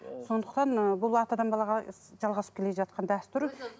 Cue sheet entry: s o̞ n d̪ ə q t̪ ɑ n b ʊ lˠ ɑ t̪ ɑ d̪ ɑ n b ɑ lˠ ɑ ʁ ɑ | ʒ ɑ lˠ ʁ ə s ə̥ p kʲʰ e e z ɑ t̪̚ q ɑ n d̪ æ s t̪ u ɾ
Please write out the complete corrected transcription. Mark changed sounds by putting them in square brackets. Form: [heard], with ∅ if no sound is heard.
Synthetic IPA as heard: s o̞ n d̪ ə q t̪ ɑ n b ʊ lˠ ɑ t̪ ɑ d̪ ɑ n b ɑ lˠ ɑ ʁ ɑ | ʒ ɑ lˠ ʁ [ɑ] s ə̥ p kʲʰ e e [ʒ] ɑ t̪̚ q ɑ n d̪ æ s t̪ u ɾ